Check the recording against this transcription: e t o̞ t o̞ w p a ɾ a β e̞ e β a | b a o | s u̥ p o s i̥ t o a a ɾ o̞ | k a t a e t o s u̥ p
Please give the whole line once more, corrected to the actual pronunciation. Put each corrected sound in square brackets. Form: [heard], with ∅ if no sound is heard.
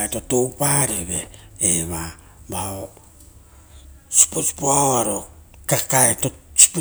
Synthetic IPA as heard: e t o̞ t o̞ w p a ɾ [e] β e̞ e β a | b a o | s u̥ p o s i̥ [p] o a a ɾ o̞ | k a [k] a e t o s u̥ p